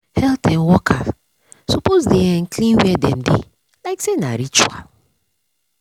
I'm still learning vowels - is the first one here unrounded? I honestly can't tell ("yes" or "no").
yes